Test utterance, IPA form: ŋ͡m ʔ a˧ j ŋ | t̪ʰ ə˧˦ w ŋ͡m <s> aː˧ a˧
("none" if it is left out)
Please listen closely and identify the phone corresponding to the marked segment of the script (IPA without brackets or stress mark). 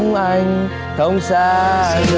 s